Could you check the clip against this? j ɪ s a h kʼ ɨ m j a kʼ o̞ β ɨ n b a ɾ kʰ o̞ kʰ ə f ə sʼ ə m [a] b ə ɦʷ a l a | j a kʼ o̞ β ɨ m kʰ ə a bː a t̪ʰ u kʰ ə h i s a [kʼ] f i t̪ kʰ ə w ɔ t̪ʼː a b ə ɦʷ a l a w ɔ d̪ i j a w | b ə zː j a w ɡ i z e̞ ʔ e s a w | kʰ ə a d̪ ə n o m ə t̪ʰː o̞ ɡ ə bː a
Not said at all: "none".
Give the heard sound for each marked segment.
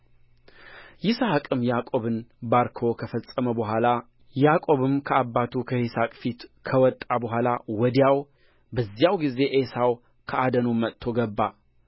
ə, kʼ

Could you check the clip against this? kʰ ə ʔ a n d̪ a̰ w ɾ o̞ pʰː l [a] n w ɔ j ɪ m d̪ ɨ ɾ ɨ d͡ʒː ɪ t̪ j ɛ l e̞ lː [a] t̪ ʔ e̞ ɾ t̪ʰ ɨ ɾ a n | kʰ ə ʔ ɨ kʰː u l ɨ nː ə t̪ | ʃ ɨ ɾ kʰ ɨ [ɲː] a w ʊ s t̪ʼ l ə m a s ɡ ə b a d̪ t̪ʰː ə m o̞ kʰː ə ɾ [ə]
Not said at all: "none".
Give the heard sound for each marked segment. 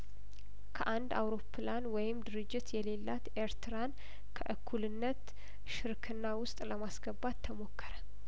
a, a, nː, ə

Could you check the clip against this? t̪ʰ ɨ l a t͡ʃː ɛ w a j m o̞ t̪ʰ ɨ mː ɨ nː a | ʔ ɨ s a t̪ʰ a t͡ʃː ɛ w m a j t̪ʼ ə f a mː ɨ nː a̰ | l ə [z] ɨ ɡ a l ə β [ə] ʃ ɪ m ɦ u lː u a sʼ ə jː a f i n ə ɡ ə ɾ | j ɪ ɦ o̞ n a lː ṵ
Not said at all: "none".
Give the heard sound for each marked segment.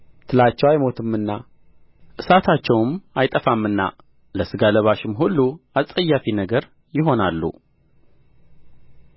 s, a

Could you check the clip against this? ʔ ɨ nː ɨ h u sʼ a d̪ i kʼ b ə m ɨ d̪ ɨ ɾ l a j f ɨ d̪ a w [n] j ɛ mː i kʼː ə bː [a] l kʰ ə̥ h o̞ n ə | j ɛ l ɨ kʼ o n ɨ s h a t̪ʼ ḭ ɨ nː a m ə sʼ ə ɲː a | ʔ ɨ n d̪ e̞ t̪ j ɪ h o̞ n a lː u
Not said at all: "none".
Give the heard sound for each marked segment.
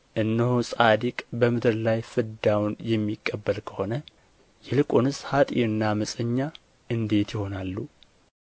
n, ə

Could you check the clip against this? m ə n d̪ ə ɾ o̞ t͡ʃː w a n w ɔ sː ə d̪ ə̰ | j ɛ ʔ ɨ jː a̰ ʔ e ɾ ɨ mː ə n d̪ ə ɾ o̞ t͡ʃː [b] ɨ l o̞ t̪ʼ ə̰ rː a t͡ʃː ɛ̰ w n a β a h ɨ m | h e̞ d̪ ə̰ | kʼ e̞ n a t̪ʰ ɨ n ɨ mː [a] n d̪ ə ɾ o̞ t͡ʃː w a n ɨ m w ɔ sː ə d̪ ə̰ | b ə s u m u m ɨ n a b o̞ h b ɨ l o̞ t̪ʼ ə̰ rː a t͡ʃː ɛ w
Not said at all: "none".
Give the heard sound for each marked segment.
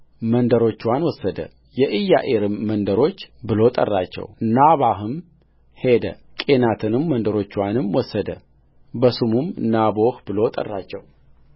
b, ə

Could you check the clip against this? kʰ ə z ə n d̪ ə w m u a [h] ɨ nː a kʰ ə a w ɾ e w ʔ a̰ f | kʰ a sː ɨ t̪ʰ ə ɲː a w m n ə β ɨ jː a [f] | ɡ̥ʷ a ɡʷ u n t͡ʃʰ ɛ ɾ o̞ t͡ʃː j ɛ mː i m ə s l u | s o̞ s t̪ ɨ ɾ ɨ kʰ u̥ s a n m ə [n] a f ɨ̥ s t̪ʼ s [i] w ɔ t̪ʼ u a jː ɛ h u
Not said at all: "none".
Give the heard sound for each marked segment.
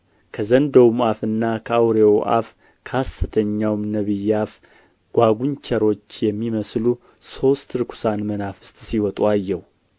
f, f, n, i

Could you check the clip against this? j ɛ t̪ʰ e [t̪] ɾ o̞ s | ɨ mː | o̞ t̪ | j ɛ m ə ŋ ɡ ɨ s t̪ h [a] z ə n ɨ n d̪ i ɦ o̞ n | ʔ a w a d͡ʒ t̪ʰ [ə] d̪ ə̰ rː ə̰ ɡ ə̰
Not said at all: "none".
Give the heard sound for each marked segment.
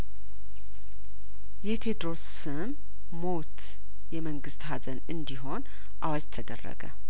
d̪, a, ə

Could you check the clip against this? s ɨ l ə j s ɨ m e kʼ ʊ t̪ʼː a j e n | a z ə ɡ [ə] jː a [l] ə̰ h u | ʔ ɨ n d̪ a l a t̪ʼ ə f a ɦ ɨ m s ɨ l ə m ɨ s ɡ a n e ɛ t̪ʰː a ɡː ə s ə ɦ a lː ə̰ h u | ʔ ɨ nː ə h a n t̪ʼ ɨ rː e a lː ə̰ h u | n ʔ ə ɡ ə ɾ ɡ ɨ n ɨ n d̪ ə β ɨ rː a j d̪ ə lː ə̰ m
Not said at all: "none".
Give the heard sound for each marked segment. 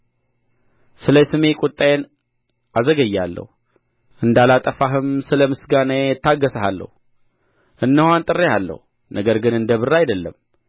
ə, lː

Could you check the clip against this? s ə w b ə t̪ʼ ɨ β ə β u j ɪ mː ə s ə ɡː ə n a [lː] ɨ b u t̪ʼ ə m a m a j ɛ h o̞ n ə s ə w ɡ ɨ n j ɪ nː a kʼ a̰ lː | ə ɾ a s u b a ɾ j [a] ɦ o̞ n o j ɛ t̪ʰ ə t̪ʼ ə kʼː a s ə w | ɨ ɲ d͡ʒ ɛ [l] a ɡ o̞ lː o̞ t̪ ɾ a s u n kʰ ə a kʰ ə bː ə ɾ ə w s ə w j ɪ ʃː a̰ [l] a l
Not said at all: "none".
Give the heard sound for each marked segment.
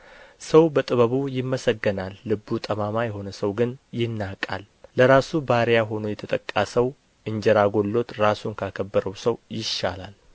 lː, a, ɾ, l

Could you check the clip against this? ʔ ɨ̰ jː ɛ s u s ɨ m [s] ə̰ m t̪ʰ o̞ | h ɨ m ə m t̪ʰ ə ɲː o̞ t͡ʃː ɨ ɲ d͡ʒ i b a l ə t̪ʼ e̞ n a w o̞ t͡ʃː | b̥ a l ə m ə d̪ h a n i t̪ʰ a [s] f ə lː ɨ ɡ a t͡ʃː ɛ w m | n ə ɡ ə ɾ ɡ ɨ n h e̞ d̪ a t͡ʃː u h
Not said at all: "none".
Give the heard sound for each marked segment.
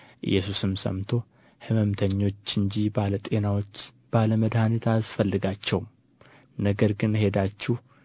s, s

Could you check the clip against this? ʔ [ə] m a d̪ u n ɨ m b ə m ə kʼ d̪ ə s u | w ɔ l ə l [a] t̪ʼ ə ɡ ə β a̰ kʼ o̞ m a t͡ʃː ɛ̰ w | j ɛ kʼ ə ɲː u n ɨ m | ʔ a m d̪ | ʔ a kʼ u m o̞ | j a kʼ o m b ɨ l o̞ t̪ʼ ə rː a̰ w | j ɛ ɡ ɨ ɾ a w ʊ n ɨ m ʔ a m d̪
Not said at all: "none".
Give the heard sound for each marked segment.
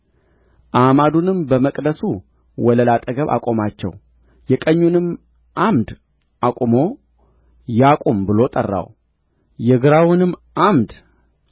a, a

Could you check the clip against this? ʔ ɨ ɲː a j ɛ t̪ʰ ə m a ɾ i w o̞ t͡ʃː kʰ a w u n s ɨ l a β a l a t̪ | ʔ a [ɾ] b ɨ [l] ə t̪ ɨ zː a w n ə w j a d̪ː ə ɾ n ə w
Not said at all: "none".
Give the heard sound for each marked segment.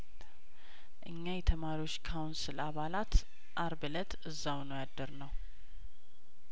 ɾ, l

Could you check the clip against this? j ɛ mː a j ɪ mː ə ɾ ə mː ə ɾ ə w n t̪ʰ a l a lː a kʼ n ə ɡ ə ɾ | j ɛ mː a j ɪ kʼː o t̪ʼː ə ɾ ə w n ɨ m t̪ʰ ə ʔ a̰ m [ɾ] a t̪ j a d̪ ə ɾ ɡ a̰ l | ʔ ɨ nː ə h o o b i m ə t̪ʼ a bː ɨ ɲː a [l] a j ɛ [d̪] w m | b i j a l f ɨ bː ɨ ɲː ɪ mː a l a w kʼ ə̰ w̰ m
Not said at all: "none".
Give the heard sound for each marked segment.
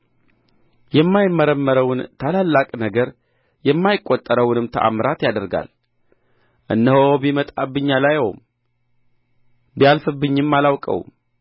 ɾ, l, none

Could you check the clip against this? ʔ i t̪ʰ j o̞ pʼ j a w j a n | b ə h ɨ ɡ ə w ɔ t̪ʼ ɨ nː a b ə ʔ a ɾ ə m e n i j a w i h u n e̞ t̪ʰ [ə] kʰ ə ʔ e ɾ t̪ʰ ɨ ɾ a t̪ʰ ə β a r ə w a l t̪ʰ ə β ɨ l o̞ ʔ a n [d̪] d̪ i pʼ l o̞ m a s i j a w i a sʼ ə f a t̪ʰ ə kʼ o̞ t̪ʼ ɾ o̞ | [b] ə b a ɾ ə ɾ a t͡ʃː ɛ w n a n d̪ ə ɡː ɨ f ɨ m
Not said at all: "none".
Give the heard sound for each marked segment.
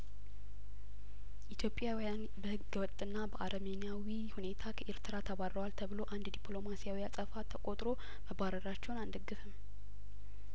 a, d̪, m

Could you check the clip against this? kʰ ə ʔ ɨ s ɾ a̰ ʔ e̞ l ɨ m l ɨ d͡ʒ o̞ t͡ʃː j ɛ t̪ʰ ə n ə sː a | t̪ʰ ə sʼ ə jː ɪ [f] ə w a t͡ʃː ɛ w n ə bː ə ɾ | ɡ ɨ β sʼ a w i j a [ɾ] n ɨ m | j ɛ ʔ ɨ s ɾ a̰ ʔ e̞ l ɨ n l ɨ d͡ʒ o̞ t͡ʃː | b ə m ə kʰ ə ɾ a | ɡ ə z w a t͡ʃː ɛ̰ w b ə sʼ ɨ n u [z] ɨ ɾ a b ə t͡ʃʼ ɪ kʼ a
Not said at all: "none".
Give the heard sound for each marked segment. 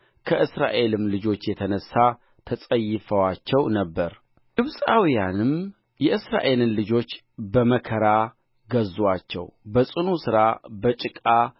f, none, s

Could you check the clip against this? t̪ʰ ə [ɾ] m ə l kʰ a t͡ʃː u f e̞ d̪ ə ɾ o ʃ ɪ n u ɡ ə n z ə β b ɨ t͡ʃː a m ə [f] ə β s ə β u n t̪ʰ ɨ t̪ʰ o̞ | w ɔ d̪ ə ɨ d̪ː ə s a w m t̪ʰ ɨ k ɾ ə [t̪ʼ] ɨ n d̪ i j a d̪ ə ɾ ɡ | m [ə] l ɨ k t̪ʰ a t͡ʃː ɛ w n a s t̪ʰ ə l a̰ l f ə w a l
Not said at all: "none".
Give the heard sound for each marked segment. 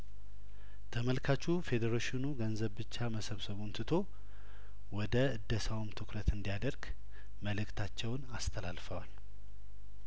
none, s, t̪, ə

